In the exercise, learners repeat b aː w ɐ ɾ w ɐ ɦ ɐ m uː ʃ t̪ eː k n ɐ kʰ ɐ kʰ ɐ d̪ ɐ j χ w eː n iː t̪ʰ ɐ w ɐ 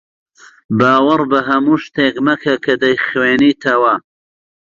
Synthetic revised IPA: b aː w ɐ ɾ b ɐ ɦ ɐ m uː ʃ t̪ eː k m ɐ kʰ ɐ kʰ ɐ d̪ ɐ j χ w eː n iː t̪ʰ ɐ w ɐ